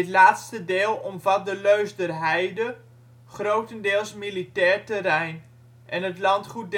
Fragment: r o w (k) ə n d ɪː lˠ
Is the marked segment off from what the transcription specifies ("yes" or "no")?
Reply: yes